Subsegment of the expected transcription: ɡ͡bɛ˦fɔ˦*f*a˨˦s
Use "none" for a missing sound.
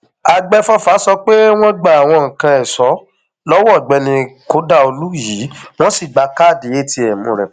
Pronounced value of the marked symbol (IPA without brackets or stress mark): f